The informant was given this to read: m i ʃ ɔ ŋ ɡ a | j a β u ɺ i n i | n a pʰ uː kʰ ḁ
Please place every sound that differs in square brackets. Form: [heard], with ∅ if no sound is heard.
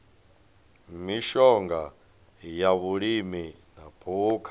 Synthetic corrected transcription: m i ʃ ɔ ŋ ɡ a | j a β u ɺ i [m] i | n a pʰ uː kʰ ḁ